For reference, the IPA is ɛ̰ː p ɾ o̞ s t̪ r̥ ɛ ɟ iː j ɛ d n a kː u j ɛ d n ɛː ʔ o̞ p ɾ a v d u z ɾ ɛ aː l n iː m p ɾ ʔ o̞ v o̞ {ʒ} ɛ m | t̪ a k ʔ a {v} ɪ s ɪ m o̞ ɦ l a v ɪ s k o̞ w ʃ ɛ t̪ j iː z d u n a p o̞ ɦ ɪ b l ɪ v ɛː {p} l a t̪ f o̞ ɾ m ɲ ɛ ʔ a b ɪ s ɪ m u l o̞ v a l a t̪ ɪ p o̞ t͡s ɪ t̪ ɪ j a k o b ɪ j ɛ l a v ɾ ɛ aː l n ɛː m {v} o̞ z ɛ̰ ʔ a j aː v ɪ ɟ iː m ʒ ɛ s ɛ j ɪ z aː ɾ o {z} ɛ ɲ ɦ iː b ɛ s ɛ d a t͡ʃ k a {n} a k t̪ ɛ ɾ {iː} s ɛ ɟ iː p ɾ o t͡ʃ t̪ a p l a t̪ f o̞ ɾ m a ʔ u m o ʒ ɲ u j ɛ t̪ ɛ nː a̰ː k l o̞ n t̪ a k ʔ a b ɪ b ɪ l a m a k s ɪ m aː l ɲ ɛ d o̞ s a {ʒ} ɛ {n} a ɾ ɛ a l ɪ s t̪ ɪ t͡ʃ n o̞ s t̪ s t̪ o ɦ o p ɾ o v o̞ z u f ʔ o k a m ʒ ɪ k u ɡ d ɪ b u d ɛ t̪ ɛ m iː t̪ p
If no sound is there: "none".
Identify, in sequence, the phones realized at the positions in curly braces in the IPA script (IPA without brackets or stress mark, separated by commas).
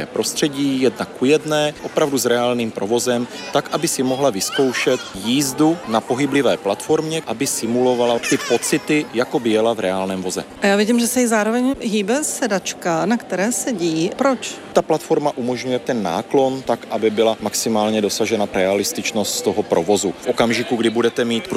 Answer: z, b, p, v, v, n, ɛː, ʒ, n